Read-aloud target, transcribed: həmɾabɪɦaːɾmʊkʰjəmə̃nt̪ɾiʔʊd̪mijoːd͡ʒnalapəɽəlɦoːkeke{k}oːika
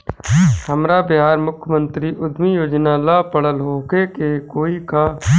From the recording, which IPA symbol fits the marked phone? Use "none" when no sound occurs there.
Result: k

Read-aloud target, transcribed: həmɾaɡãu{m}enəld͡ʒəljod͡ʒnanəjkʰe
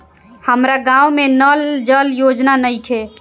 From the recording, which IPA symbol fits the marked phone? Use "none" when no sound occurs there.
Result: m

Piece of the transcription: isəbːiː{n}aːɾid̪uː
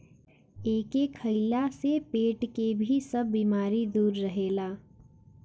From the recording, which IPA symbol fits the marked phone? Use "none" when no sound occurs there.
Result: m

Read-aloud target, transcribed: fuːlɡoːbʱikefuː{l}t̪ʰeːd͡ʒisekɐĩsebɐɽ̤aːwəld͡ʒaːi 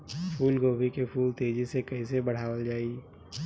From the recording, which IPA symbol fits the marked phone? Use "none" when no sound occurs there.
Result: l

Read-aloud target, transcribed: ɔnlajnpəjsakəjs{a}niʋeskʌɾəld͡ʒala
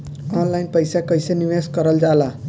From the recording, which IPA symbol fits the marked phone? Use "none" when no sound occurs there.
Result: e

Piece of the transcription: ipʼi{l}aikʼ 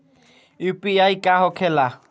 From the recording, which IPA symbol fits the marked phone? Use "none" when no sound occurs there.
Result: none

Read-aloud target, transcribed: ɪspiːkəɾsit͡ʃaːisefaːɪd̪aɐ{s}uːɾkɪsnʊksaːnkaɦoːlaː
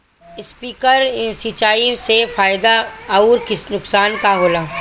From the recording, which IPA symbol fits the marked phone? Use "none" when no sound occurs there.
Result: none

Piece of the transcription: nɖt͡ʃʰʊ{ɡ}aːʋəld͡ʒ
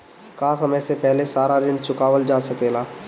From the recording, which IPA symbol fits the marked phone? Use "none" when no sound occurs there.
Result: k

